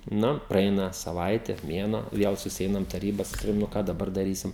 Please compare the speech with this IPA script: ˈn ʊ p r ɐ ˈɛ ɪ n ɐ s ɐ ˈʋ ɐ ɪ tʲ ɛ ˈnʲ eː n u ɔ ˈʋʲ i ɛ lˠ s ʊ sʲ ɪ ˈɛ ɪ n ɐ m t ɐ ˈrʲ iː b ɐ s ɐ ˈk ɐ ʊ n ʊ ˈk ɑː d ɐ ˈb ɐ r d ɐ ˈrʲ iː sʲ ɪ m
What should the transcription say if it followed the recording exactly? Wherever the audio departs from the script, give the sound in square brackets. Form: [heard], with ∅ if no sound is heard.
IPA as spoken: ˈn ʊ p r ɐ ˈɛ ɪ n ɐ s ɐ ˈʋ ɐ ɪ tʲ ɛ [ˈmʲ] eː n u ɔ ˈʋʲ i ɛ lˠ s ʊ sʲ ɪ ˈɛ ɪ n ɐ m t ɐ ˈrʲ iː b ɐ s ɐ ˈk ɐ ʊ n ʊ ˈk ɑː d ɐ ˈb ɐ r d ɐ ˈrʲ iː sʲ ɪ m